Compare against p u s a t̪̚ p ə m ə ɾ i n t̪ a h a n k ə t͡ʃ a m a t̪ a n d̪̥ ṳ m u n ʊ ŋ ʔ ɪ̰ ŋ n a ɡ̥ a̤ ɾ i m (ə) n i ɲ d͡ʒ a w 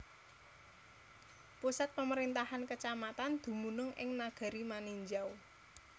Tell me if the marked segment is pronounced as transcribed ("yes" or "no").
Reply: no